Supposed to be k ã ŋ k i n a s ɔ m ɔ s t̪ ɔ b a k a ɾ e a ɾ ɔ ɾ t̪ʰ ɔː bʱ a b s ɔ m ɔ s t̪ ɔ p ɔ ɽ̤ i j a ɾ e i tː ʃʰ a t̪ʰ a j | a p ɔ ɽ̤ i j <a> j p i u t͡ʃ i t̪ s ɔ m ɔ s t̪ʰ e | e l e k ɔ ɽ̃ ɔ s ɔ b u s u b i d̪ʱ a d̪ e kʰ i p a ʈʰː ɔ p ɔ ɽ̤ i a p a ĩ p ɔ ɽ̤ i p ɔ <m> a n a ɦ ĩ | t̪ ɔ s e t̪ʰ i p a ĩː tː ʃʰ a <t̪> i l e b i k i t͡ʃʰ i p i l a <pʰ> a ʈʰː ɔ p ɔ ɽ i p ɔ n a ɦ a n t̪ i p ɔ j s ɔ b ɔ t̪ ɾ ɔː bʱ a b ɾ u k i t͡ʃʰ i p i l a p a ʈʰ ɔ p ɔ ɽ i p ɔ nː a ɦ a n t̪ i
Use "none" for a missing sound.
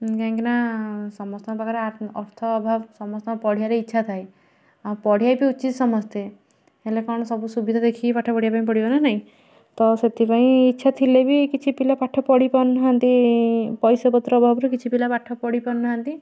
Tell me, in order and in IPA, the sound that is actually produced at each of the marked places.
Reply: a, n, t̪ʰ, p

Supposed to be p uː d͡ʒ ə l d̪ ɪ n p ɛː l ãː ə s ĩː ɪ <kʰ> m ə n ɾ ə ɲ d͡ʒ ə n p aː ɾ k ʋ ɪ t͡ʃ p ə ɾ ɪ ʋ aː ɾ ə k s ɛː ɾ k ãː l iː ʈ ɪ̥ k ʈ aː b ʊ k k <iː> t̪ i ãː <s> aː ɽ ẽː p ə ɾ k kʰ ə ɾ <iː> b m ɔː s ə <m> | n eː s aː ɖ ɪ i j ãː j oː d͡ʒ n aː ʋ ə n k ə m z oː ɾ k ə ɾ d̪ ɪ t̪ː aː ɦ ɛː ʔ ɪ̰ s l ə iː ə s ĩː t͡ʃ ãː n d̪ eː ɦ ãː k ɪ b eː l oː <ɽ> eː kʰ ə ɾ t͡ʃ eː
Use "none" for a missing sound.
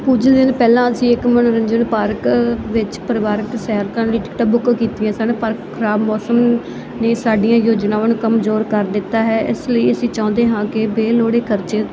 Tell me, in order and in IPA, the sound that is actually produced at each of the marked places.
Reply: k, iː, s, aː, m, ɽ

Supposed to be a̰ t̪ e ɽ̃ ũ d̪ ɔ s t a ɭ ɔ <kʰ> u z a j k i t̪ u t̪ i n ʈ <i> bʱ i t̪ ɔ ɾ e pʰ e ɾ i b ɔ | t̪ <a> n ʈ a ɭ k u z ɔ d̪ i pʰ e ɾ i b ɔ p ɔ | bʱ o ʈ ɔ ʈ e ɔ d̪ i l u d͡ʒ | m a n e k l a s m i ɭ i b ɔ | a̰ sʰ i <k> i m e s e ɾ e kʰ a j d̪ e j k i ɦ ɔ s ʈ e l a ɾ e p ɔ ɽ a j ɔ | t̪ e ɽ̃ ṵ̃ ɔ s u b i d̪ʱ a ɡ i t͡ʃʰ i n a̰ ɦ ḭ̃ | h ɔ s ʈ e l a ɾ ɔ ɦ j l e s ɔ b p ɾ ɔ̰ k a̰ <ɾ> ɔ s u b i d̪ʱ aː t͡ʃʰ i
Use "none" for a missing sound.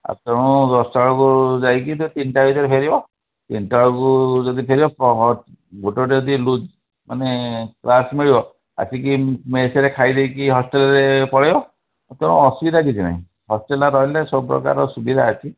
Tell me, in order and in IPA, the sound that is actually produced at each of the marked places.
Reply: k, a, i, k, ɾ

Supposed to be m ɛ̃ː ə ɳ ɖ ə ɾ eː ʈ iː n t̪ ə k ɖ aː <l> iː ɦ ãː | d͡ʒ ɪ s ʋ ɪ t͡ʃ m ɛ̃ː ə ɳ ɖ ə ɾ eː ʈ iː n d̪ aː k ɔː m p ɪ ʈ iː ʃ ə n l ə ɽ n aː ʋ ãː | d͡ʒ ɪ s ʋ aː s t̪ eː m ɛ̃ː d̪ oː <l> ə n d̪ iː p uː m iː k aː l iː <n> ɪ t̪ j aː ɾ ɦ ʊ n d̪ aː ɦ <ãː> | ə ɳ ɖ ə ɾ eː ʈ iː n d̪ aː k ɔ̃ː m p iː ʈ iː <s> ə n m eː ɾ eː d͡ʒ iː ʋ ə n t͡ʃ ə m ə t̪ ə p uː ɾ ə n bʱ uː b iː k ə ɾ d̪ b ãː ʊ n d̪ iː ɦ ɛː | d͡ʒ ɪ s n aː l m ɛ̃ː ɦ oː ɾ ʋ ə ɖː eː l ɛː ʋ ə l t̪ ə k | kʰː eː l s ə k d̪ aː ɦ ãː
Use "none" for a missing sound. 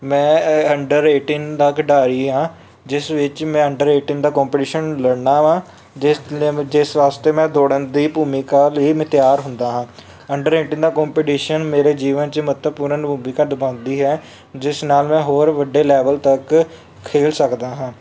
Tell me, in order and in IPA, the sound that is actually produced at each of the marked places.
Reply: ɾ, ɽ, m, ãː, ʃ

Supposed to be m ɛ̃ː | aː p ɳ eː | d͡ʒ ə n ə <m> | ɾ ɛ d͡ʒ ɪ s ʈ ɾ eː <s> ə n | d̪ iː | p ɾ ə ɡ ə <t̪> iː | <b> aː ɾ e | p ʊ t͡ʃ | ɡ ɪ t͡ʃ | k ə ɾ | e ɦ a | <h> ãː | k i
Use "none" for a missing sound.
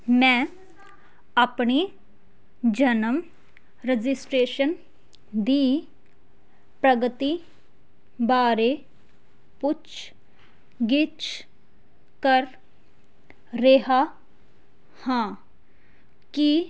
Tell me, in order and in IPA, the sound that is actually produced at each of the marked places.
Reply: m, ʃ, t̪, b, h

